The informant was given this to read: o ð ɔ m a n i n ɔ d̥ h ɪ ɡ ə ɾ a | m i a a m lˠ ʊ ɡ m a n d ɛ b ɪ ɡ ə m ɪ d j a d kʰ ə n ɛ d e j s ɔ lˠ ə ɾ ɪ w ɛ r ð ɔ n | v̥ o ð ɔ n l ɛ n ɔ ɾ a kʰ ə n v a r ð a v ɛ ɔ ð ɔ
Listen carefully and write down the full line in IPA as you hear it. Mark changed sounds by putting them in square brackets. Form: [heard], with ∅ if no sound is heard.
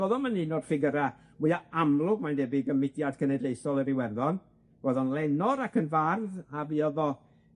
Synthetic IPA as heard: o ð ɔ m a n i n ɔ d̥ [f] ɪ ɡ ə ɾ a | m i a a m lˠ ʊ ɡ m a n d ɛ b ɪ ɡ ə m ɪ d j a d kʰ ə n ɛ d e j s ɔ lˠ ə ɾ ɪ w ɛ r ð ɔ n | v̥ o ð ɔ n l ɛ n ɔ ɾ a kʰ ə n v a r ð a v [i] ɔ ð ɔ